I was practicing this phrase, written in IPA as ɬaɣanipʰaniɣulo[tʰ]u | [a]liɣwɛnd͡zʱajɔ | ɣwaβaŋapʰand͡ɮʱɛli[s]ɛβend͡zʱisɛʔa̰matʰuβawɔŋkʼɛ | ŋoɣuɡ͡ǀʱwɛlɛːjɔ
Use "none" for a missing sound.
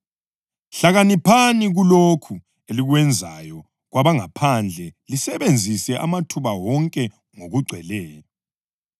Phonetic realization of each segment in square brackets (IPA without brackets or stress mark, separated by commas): kʰ, e, s